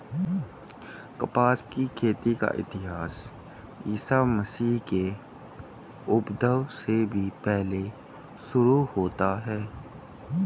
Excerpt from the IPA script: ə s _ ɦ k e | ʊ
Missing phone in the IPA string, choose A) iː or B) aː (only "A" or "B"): A